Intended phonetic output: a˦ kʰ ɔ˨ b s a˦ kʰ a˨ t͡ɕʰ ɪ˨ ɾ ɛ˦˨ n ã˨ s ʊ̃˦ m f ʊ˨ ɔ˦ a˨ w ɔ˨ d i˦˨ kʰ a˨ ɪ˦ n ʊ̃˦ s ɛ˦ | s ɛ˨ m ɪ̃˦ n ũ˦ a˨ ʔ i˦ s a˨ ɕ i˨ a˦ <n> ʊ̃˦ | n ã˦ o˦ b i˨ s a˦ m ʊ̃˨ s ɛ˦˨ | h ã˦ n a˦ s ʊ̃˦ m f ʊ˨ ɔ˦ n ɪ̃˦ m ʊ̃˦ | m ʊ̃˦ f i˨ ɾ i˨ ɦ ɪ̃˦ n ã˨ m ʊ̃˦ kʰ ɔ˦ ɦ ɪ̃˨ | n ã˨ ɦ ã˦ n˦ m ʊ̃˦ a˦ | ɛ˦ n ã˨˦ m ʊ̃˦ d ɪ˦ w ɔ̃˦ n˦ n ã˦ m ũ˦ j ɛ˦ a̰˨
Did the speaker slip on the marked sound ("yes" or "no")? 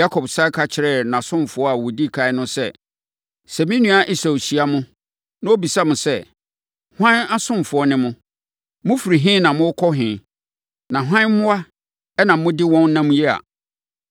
yes